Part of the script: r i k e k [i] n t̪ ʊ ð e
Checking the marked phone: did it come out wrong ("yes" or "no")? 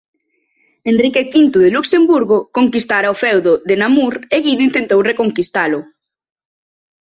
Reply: no